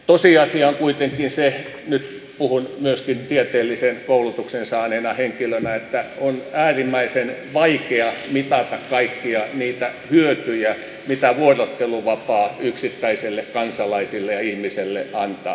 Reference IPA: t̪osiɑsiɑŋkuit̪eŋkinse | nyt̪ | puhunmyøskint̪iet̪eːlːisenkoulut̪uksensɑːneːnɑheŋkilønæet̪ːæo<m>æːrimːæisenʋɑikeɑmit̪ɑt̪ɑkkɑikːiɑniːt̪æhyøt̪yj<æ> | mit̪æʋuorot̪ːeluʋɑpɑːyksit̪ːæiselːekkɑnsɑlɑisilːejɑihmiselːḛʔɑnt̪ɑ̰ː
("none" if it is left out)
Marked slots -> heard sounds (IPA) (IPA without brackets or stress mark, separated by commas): n, æ